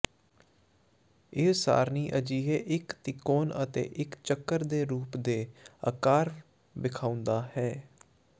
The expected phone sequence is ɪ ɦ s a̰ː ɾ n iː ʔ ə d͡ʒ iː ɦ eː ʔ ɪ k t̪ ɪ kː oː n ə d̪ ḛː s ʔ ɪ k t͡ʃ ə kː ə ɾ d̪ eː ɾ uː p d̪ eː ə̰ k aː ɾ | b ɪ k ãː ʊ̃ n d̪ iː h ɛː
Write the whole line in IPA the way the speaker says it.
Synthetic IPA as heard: ɪ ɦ s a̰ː ɾ n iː ʔ ə d͡ʒ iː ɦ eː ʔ ɪ k t̪ ɪ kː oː n ə t̪ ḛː ʔ ɪ k t͡ʃ ə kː ə ɾ d̪ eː ɾ uː p d̪ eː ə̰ k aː ɾ | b ɪ kʰ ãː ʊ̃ n d̪ aː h ɛː